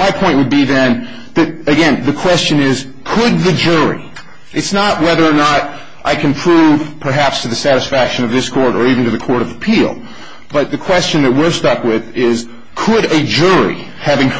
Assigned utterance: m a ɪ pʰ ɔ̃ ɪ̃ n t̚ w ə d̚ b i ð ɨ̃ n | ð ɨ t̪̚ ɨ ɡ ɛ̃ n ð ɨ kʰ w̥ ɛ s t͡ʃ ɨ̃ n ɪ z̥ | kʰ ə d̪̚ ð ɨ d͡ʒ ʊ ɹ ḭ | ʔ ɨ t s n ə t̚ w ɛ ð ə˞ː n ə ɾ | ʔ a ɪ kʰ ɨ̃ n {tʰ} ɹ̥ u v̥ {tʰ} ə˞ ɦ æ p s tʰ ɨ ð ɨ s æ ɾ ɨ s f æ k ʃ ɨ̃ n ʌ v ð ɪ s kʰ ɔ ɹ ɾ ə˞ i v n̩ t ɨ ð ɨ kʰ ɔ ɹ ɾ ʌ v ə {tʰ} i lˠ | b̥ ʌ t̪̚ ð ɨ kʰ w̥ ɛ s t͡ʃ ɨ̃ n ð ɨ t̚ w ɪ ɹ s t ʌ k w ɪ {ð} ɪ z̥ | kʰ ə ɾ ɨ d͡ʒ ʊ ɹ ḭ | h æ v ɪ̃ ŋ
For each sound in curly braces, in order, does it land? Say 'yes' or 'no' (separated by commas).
no, no, no, yes